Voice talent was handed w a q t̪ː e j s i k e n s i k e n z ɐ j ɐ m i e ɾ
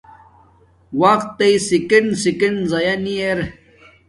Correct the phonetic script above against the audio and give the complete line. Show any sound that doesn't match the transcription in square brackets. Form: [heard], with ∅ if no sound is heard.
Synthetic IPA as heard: w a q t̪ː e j s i k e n s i k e n z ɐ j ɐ [n] i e ɾ